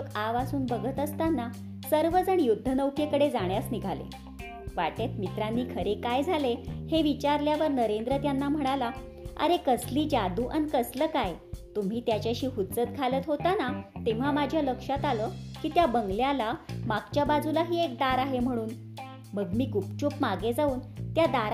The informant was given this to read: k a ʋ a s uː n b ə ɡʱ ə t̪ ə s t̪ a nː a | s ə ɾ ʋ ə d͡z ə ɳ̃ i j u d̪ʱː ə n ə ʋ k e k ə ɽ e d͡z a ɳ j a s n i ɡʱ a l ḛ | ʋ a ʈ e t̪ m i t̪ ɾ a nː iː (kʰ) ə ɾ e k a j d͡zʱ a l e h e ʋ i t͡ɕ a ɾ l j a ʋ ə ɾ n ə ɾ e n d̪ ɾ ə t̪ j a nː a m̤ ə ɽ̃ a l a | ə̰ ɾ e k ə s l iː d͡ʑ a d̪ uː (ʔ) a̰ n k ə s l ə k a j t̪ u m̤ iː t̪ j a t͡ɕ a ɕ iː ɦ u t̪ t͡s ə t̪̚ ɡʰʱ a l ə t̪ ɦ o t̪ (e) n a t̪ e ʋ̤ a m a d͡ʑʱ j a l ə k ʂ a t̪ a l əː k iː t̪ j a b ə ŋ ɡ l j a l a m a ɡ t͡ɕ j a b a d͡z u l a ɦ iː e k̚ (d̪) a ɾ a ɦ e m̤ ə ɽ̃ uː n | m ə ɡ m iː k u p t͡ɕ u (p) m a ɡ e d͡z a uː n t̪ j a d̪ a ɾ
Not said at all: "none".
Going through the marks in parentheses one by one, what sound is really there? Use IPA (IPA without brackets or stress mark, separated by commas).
kʰ, ʔ, a, d̪, p